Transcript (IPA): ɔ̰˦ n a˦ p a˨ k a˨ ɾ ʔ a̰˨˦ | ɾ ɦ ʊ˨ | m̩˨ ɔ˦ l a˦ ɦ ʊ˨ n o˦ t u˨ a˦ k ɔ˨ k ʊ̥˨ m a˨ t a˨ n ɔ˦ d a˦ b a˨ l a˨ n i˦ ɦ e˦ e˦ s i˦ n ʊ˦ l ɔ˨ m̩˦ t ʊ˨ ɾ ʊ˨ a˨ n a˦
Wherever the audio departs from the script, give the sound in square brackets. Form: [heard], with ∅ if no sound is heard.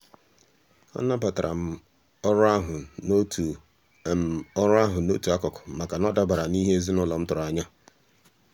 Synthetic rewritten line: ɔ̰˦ n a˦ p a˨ [t] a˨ ɾ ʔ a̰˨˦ | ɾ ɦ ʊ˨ | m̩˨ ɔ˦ [ɾ] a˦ ɦ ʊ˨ n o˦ t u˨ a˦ k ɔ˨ k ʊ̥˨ m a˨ [k] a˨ n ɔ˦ d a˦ b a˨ [ɾ] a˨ n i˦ ɦ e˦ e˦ [z] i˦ n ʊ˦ l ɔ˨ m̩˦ t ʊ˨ ɾ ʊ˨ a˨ [ɲ] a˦